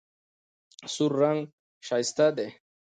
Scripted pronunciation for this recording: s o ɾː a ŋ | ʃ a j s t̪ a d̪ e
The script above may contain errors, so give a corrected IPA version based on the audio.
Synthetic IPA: s u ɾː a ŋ | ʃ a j s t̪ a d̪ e